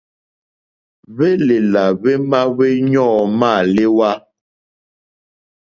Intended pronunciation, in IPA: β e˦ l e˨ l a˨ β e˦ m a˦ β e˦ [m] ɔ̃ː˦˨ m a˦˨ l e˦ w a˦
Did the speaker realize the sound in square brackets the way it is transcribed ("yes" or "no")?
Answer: no